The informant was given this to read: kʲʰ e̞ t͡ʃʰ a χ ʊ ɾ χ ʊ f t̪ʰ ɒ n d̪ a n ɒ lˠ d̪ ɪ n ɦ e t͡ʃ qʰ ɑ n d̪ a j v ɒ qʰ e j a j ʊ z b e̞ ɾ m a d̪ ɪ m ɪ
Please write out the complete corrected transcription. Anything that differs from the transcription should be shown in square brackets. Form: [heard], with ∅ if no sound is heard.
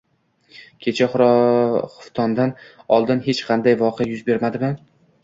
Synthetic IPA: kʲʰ e̞ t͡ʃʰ a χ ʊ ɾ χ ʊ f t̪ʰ ɒ n d̪ a n ɒ lˠ d̪ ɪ n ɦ e t͡ʃ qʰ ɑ n d̪ a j v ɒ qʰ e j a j ʊ z b e̞ ɾ m a d̪ ɪ m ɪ